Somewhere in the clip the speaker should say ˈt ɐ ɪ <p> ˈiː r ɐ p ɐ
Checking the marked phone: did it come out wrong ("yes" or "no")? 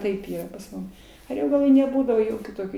no